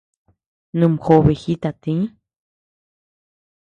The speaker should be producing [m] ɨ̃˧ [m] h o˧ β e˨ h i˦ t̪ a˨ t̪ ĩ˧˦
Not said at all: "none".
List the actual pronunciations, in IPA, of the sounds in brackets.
n, m

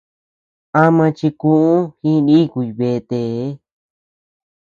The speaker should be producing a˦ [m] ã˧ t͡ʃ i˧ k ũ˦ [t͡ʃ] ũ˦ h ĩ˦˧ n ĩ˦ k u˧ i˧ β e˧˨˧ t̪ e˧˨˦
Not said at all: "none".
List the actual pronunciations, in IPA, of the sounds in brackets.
m, none

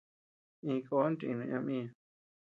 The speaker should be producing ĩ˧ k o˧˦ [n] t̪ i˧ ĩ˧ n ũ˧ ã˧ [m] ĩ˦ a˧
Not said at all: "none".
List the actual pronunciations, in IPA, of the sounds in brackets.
n, m

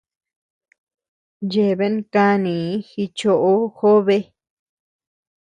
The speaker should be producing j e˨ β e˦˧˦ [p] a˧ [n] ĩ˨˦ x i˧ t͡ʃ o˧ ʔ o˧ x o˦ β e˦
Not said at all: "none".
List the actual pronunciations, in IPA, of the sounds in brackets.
k, n

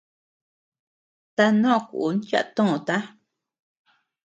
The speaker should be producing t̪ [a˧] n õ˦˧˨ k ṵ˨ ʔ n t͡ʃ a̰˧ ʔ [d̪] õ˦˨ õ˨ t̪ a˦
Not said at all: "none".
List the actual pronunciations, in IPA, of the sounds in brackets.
a˧, t̪

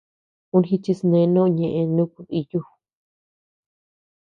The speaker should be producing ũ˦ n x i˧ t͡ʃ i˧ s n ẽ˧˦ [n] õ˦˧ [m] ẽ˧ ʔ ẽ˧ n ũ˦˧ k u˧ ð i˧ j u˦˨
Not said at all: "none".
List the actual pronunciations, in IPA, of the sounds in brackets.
n, ɲ

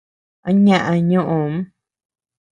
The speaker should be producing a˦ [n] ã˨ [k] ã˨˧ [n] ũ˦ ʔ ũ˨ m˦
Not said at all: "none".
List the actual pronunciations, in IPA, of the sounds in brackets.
ɲ, ʔ, ɲ

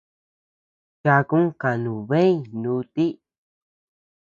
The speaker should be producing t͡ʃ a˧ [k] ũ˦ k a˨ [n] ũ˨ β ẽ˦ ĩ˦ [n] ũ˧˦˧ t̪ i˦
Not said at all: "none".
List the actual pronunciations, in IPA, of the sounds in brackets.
k, n, n

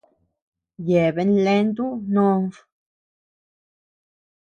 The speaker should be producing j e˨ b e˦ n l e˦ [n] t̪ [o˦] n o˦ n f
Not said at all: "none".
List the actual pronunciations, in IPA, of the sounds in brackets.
n, u˦

